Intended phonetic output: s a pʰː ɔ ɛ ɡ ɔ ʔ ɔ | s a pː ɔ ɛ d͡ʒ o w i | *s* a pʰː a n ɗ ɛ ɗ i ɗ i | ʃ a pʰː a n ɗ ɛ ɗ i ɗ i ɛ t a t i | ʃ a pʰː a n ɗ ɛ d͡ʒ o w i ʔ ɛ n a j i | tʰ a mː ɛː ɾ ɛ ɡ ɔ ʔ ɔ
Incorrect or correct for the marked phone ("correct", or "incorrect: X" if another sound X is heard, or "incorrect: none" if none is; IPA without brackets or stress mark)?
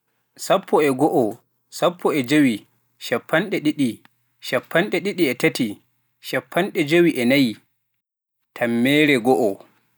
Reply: incorrect: ʃ